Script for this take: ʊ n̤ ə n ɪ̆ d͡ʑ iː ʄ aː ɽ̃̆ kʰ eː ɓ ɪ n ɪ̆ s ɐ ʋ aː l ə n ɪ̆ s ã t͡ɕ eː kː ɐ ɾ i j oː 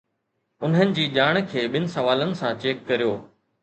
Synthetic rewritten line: ʊ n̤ ə n ɪ̆ d͡ʑ iː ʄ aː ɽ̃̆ kʰ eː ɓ ɪ n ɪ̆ s ɐ ʋ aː l ə n ɪ̆ s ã t͡ɕ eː kː ɐ ɾ i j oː